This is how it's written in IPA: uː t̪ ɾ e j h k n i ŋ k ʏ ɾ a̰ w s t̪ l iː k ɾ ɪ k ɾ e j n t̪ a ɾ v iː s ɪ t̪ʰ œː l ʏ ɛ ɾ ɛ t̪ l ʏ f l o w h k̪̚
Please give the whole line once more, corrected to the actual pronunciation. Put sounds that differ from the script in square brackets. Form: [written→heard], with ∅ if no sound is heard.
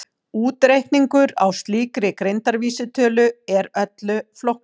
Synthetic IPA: uː t̪ ɾ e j h k n i ŋ k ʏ ɾ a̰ w s t̪ l iː k ɾ ɪ k ɾ e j n t̪ a ɾ v iː s ɪ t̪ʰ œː l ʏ ɛ ɾ [ɛ→œ] t̪ l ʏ f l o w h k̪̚